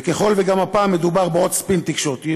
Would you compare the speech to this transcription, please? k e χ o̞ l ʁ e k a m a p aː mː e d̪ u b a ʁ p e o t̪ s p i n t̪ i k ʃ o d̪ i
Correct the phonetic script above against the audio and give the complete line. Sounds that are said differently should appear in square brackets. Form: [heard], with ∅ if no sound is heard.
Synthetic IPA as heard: k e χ o̞ l [v] e [ɡ] a m a p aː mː e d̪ u b a ʁ [b] e o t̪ s p i n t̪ i k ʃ o [t̪] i